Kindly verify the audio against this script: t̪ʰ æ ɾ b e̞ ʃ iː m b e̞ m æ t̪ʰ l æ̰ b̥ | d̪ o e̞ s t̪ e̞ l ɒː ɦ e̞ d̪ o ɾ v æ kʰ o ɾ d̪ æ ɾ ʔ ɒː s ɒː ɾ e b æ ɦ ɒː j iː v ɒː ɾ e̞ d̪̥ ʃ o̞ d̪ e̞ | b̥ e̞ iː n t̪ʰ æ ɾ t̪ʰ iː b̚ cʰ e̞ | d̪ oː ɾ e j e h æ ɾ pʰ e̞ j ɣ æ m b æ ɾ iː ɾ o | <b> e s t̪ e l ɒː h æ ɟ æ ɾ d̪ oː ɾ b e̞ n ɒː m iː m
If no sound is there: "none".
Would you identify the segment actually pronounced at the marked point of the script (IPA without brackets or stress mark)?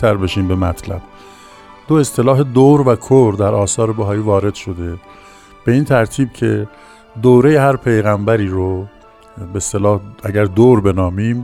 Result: b